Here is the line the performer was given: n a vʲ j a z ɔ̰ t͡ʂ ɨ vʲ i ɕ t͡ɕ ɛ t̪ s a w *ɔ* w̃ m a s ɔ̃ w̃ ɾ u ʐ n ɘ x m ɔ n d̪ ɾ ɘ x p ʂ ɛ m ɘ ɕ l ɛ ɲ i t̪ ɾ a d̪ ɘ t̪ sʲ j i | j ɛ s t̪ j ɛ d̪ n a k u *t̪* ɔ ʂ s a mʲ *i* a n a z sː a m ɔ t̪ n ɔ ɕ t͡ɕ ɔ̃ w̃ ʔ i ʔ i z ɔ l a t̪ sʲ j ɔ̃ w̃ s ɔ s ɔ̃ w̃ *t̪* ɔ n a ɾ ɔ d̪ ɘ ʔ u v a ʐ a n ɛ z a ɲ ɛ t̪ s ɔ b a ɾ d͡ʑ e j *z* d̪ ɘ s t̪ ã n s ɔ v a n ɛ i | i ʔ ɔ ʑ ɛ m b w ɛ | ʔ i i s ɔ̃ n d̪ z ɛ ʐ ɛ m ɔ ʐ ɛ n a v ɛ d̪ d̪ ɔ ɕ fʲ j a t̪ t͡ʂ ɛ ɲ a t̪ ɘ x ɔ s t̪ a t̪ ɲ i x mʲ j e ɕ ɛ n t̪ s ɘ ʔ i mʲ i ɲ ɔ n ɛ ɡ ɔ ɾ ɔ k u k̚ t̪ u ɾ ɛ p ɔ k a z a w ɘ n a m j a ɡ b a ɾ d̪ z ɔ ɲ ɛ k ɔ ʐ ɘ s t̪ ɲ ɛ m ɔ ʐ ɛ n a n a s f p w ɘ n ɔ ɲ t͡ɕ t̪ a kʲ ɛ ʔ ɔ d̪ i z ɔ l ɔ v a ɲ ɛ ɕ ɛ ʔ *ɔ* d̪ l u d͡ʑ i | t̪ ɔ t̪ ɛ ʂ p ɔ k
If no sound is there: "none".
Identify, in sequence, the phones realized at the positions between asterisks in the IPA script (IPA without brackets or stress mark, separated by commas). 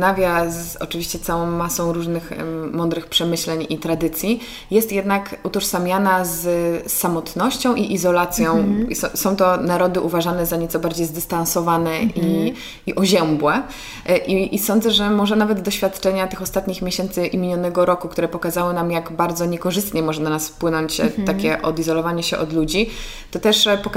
ɔ̃, t̪, j, t̪, z, ɔ